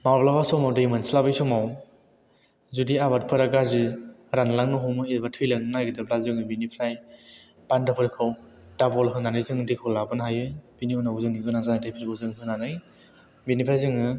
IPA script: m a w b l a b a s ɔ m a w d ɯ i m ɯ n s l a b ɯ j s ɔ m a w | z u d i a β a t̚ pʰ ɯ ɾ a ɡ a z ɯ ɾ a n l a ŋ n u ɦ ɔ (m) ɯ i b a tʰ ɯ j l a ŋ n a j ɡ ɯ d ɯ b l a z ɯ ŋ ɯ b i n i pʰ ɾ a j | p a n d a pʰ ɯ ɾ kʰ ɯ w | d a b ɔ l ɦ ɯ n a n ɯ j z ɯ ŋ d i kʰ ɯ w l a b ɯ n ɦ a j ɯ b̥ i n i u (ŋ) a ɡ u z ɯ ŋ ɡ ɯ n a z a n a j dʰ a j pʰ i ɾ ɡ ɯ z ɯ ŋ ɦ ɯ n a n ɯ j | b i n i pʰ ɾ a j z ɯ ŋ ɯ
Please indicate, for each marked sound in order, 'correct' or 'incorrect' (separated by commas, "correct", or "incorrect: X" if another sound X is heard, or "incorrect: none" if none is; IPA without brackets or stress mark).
correct, incorrect: n